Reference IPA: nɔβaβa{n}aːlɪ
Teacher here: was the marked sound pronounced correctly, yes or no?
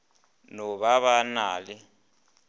yes